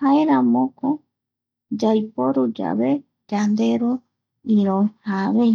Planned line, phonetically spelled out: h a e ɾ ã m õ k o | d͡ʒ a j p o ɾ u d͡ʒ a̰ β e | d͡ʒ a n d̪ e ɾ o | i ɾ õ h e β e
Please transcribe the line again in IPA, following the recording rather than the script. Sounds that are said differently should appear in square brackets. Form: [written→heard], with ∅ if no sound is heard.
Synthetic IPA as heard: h a e ɾ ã m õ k o | d͡ʒ a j p o ɾ u d͡ʒ a̰ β e | d͡ʒ a n d̪ e ɾ o | i ɾ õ h [e→a] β e